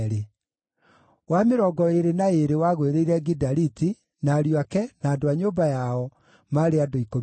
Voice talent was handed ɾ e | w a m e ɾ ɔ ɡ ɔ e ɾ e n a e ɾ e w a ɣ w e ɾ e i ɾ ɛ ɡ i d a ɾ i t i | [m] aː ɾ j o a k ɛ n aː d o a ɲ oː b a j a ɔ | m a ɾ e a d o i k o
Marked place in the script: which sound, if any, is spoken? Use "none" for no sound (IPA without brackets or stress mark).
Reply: n